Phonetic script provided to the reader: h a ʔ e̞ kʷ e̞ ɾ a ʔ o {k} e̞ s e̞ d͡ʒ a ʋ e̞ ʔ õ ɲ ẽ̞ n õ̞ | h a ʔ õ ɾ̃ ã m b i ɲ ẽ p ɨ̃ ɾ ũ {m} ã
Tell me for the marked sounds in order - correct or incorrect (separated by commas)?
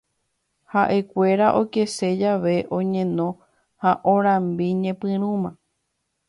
correct, correct